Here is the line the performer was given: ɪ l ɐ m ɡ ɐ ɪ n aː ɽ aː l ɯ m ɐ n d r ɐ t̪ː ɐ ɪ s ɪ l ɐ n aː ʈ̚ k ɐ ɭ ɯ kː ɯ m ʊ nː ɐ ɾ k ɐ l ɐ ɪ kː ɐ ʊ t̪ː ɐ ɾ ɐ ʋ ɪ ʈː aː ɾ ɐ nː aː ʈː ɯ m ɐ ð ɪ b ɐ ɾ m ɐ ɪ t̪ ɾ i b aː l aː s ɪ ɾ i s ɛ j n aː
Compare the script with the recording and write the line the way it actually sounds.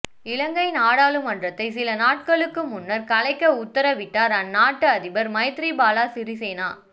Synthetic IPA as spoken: ɪ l ɐ ŋ ɡ ɐ ɪ n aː ɽ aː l ɯ m ɐ n d r ɐ t̪ː ɐ ɪ s ɪ l ɐ n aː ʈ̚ k ɐ ɭ ɯ kː ɯ m ʊ nː ɐ ɾ k ɐ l ɐ ɪ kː ɐ ʊ t̪ː ɐ ɾ ɐ ʋ ɪ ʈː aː ɾ ɐ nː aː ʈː ɯ ɐ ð ɪ b ɐ ɾ m ɐ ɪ t̪ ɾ i b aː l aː s ɪ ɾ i s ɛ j n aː

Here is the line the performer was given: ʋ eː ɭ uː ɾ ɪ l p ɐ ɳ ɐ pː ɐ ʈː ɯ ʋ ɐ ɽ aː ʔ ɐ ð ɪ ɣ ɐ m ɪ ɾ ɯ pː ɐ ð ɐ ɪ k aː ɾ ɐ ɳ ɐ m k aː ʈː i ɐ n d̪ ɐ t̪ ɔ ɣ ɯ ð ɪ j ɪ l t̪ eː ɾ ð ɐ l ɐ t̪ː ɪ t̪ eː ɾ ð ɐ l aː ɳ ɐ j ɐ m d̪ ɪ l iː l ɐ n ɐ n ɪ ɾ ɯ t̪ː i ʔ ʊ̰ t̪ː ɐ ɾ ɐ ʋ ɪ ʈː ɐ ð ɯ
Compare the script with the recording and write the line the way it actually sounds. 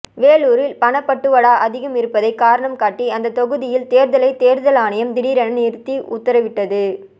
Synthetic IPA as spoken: ʋ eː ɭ uː ɾ ɪ l p ɐ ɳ ɐ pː ɐ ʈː ɯ ʋ ɐ ɽ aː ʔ ɐ ð ɪ ɣ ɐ m ɪ ɾ ɯ pː ɐ ð ɐ ɪ k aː ɾ ɐ ɳ ɐ m k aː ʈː i ɐ n d̪ ɐ t̪ ɔ ɣ ɯ ð ɪ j ɪ l t̪ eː ɾ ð ɐ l ɐ ɪ t̪ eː ɾ ð ɐ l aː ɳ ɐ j ɐ m d̪ ɪ ɽ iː ɾ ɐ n ɐ n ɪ ɾ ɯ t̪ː i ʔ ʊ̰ t̪ː ɐ ɾ ɐ ʋ ɪ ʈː ɐ ð ɯ

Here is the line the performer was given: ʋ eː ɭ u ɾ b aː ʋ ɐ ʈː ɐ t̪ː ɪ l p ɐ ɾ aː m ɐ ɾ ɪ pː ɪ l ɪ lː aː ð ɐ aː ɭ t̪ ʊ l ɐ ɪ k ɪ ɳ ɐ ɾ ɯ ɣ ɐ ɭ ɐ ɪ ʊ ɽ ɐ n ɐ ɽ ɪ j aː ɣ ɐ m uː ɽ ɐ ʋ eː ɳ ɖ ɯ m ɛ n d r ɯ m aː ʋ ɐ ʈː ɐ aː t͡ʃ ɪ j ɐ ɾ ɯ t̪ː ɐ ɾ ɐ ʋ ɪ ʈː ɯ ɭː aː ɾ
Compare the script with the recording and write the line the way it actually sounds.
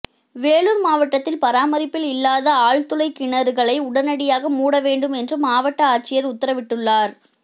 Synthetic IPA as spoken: ʋ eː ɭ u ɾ m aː ʋ ɐ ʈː ɐ t̪ː ɪ l p ɐ ɾ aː m ɐ ɾ ɪ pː ɪ l ɪ lː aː ð ɐ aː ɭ t̪ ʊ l ɐ ɪ k ɪ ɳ ɐ ɾ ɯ ɣ ɐ ɭ ɐ ɪ ʊ ɽ ɐ n ɐ ɽ ɪ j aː ɣ ɐ m uː ɽ ɐ ʋ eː ɳ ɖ ɯ m ɛ n d r ɯ m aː ʋ ɐ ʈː ɐ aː t͡ʃ ɪ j ɐ ɾ ʊ t̪ː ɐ ɾ ɐ ʋ ɪ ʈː ɯ ɭː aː ɾ

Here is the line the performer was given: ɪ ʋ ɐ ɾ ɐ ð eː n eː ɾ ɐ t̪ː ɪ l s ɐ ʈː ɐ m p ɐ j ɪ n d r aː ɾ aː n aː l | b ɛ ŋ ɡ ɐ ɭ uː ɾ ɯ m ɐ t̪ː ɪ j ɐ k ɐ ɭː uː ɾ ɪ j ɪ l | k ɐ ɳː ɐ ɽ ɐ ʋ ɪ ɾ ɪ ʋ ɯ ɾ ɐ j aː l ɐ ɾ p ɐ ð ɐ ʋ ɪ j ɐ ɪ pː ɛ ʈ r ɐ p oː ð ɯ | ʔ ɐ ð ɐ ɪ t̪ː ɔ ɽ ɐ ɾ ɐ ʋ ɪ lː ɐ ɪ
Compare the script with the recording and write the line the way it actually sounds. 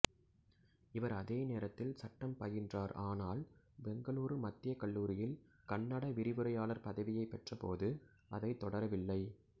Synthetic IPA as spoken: ɪ ʋ ɐ ɾ ɐ ð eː n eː ɾ ɐ t̪ː ɪ l s ɐ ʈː ɐ m p ɐ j ɪ n d r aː ɾ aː n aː l | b ɛ ŋ ɡ ɐ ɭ uː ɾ ɯ m ɐ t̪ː ɪ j ɐ k ɐ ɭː uː ɾ ɪ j ɪ l | k ɐ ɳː ɐ ɽ ɐ ʋ ɪ ɾ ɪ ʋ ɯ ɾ ɐ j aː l ɐ ɾ p ɐ ð ɐ ʋ ɪ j ɐ ɪ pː ɛ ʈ r ɐ p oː ð ɯ | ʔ ɐ ð ɐ ɪ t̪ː ɔ ɽ ɐ ɾ ɐ ʋ ɪ lː ɐ ɪ

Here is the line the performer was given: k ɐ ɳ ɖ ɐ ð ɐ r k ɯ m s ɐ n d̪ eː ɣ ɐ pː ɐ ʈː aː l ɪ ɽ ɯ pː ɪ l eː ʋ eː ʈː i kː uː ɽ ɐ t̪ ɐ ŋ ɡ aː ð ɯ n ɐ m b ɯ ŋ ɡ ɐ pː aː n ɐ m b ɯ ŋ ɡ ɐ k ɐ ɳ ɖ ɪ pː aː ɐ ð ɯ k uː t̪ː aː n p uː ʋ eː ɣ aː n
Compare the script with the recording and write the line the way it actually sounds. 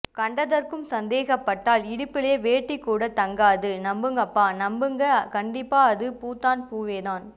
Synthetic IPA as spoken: k ɐ ɳ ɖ ɐ ð ɐ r k ɯ m s ɐ n d̪ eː ɣ ɐ pː ɐ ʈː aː l ɪ ɽ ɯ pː ɪ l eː ʋ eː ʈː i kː uː ɽ ɐ t̪ ɐ ŋ ɡ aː ð ɯ n ɐ m b ɯ ŋ ɡ ɐ pː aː n ɐ m b ɯ ŋ ɡ ɐ k ɐ ɳ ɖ ɪ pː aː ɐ ð ɯ p uː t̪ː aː n p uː ʋ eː ð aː n

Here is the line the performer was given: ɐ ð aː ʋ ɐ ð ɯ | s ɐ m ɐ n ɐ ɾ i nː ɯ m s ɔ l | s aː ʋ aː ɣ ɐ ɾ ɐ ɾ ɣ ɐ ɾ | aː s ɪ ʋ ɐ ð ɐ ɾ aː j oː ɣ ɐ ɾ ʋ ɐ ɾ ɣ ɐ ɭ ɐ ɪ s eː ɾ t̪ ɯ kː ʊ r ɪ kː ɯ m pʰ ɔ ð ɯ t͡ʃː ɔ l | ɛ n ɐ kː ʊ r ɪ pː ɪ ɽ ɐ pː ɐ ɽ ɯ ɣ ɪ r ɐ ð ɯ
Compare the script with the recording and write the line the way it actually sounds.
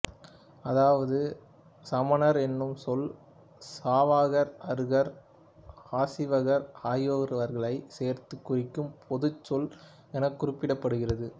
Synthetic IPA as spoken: ɐ ð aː ʋ ɐ ð ɯ | s ɐ m ɐ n ɐ ɾ ɛ nː ɯ m s ɔ l | s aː ʋ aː ɣ ɐ ɾ ɐ ɾ ɣ ɐ ɾ | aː s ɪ ʋ ɐ ɣ ɐ ɾ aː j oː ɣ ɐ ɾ ʋ ɐ ɾ ɣ ɐ ɭ ɐ ɪ s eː ɾ t̪ ɯ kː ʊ r ɪ kː ɯ m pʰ ɔ ð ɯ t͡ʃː ɔ l | ɛ n ɐ kː ʊ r ɪ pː ɪ ɽ ɐ pː ɐ ɽ ɯ ɣ ɪ r ɐ ð ɯ

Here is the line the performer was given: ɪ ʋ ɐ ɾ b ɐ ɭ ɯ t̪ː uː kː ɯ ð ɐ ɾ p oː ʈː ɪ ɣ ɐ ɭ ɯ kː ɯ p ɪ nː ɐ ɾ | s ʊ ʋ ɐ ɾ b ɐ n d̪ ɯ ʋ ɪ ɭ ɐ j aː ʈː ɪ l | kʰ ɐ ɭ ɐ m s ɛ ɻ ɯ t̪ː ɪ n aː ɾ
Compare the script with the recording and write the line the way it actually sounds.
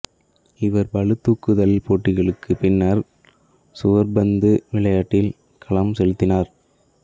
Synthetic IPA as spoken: ɪ ʋ ɐ ɾ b ɐ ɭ ɯ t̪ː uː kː ɯ ð ɐ l p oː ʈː ɪ ɣ ɐ ɭ ɯ kː ɯ p ɪ nː ɐ ɾ | s ʊ ʋ ɐ ɾ b ɐ n d̪ ɯ ʋ ɪ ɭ ɐ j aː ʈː ɪ l | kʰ ɐ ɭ ɐ m s ɛ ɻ ɯ t̪ː ɪ n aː ɾ

